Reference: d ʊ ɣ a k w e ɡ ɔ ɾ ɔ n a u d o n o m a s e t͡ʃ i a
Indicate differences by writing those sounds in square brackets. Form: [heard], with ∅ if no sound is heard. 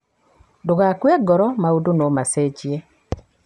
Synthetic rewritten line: d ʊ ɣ a k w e ɡ ɔ ɾ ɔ [m] a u d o n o m a s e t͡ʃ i [e]